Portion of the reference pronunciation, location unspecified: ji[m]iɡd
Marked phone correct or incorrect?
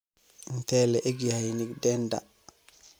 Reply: incorrect